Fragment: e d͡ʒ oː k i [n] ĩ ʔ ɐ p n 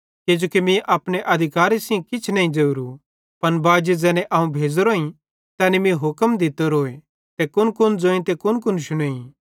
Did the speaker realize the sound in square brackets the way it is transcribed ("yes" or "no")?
no